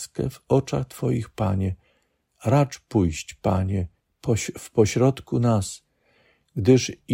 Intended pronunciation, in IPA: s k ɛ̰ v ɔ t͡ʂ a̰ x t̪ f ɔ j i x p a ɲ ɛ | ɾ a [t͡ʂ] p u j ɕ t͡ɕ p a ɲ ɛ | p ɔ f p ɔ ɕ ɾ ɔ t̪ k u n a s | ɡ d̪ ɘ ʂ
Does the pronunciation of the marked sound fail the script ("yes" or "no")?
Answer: no